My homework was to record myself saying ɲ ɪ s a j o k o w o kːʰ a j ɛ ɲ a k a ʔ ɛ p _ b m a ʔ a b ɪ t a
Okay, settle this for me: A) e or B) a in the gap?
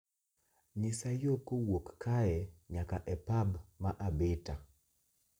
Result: B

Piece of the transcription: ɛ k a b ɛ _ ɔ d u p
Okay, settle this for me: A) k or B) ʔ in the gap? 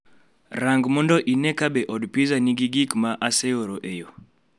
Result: B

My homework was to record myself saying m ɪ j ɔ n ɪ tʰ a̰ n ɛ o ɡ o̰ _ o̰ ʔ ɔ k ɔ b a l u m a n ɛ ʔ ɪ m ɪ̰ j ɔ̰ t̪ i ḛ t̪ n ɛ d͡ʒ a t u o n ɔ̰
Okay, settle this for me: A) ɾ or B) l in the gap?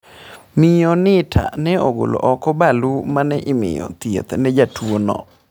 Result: B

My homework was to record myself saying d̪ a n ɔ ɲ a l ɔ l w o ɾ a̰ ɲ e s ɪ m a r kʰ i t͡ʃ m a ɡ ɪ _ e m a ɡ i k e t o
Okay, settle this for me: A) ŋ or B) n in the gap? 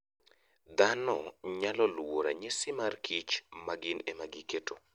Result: B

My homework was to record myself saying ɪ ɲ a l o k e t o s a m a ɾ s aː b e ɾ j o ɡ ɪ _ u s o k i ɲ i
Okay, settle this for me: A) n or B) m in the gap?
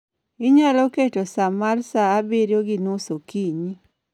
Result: A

